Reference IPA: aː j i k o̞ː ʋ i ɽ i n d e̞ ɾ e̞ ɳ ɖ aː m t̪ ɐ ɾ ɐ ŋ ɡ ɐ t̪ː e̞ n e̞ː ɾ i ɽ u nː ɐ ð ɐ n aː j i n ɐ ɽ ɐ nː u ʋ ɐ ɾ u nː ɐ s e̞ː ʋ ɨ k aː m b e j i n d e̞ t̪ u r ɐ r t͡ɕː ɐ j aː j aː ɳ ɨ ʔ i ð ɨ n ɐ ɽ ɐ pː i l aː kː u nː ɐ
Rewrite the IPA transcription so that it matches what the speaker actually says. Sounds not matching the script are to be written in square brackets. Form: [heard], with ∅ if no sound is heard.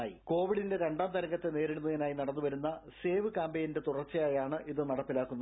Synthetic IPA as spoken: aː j i k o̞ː ʋ i ɽ i n d e̞ ɾ e̞ ɳ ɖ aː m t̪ ɐ ɾ ɐ ŋ ɡ ɐ t̪ː e̞ n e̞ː ɾ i ɽ u nː ɐ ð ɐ n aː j i n ɐ ɽ ɐ nː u ʋ ɐ ɾ u nː ɐ s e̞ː ʋ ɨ k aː m b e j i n d e̞ t̪ u r ɐ r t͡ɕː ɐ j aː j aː ɳ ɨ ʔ i ð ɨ n ɐ ɽ ɐ pː i l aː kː u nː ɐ